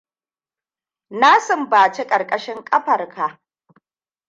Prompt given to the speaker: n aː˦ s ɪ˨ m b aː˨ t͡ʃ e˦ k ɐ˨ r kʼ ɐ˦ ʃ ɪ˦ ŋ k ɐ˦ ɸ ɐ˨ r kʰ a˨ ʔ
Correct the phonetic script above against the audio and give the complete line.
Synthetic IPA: n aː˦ s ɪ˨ m b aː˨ t͡ʃ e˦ kʼ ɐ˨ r kʼ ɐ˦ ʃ ɪ˦ ŋ kʼ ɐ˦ ɸ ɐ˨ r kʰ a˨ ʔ